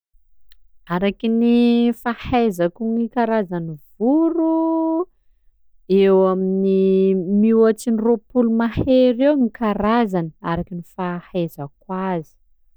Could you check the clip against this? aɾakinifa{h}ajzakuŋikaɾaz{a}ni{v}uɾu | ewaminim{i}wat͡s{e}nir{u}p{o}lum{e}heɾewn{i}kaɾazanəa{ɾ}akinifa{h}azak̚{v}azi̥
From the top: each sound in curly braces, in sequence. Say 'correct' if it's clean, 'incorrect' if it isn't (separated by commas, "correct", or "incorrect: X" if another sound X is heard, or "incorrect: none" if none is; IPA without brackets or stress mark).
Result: correct, correct, correct, correct, incorrect: i, incorrect: o, incorrect: u, incorrect: a, correct, correct, correct, incorrect: w